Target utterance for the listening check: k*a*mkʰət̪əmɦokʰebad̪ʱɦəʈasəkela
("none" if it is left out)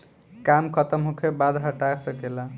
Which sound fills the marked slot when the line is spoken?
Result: a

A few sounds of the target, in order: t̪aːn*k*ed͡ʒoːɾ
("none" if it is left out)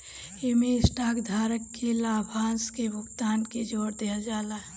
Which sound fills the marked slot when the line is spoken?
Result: k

